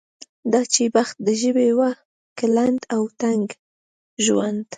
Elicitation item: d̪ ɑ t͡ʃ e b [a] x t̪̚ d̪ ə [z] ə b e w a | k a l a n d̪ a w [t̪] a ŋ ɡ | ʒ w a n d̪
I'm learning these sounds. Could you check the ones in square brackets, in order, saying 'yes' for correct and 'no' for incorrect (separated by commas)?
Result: yes, no, yes